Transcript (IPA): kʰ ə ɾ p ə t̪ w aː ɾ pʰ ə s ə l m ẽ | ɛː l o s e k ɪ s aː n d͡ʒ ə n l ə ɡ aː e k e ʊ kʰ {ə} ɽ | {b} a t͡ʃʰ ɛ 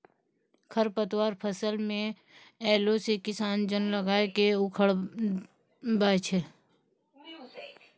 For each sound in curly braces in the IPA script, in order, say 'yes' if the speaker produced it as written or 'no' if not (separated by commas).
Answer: yes, yes